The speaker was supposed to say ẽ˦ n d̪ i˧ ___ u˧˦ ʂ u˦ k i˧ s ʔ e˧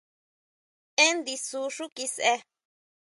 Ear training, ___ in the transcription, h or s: s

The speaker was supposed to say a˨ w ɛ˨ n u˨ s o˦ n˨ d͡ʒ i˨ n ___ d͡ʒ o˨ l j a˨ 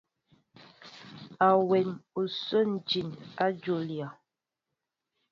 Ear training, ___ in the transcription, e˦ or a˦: a˦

